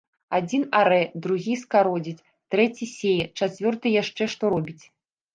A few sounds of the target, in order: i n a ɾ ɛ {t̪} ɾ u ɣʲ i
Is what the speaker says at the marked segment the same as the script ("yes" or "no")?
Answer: no